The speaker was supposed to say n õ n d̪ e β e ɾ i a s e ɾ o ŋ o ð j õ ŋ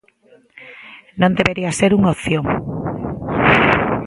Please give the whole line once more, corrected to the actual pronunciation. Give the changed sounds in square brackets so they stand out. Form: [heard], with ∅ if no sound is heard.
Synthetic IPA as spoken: n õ n d̪ e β e ɾ i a s e ɾ [u] ŋ o [θ] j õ ŋ